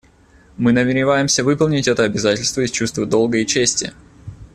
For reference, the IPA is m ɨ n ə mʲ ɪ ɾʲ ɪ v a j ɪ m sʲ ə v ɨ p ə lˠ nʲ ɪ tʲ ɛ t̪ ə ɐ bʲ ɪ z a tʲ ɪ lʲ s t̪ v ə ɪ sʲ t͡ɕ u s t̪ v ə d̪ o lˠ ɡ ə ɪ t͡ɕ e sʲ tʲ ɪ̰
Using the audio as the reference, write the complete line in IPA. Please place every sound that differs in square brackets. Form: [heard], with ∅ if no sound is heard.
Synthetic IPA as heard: m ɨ n ə mʲ ɪ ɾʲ ɪ v a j ɪ m sʲ ə v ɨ p ə lˠ nʲ ɪ tʲ ɛ t̪ ə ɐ bʲ ɪ z a tʲ ɪ lʲ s t̪ v ə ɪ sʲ t͡ɕ u s t̪ v ə d̪ o lˠ ɡ ə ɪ t͡ɕ e sʲ tʲ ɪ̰